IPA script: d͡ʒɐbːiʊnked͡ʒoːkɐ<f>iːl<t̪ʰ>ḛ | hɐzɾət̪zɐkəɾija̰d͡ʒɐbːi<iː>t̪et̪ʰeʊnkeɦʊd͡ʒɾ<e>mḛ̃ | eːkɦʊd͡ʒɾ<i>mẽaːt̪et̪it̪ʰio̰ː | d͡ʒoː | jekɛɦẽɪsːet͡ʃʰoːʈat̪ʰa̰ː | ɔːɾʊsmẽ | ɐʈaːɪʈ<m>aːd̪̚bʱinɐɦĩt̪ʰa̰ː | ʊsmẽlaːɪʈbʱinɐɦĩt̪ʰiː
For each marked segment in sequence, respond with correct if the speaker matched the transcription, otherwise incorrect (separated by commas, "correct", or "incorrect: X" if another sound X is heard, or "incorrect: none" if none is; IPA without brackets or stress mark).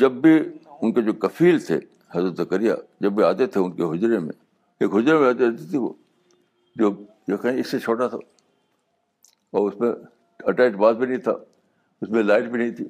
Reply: correct, correct, incorrect: aː, correct, incorrect: e, incorrect: b